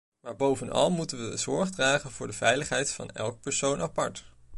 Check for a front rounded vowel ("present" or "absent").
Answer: absent